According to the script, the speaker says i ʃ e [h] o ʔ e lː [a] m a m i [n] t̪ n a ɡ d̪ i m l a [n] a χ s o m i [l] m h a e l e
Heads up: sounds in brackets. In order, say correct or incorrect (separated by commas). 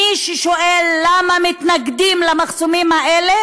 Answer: incorrect, correct, incorrect, incorrect, incorrect